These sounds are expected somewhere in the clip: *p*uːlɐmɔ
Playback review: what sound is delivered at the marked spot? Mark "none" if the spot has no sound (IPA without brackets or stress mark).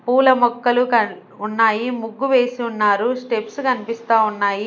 p